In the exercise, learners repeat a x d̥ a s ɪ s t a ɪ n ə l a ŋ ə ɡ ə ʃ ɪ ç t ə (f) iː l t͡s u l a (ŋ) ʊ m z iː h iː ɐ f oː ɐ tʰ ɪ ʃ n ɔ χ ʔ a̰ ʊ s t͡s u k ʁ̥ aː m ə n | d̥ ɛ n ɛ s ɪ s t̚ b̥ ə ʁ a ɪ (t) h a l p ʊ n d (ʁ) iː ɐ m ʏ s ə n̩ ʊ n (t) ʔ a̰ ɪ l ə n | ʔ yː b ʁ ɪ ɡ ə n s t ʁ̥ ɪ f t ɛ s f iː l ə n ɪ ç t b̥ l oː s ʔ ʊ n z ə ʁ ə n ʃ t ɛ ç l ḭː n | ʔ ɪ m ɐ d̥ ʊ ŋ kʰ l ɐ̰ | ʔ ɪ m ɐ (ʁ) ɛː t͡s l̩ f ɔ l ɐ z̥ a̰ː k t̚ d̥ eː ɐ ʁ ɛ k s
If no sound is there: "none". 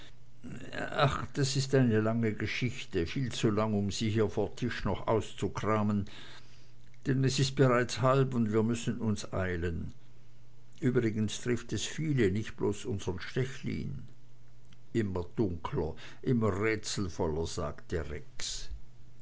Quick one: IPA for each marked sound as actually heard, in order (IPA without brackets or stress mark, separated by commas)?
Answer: f, ŋ, t͡s, v, s, ʁ